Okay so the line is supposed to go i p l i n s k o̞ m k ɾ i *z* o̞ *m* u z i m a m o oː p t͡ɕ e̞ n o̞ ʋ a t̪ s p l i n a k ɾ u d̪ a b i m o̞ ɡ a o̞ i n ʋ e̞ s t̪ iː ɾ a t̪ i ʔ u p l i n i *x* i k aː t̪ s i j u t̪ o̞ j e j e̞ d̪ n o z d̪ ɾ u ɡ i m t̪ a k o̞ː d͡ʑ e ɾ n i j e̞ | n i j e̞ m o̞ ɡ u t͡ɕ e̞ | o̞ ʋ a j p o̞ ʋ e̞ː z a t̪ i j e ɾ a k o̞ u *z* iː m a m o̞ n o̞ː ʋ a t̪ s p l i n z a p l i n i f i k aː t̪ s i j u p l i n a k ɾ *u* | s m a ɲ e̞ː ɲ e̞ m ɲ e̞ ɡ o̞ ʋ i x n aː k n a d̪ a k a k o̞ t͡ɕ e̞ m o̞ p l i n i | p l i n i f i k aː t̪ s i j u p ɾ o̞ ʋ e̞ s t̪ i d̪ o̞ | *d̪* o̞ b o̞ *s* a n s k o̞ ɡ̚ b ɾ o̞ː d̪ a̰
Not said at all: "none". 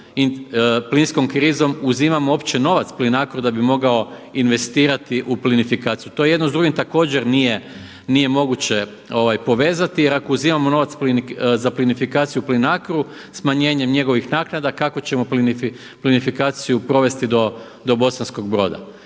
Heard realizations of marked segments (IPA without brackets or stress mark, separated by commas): z, m, f, z, u, d̪, s